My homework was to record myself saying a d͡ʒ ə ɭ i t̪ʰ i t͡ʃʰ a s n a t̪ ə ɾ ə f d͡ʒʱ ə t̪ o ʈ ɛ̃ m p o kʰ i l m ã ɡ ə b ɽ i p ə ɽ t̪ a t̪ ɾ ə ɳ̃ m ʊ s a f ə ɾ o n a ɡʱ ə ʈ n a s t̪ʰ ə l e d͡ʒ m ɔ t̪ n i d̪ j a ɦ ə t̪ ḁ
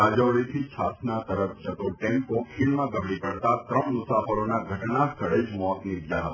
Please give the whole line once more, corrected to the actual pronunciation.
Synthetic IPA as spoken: a d͡ʒ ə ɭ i t̪ʰ i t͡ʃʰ a s n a t̪ ə ɾ ə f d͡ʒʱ ə t̪ o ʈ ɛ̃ m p o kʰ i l m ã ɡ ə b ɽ i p ə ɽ t̪ a t̪ ɾ ə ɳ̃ m ʊ s a f ə ɾ o n a ɡʱ ə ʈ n a s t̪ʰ ə ɭ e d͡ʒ m ɔ t̪ n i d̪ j a ɦ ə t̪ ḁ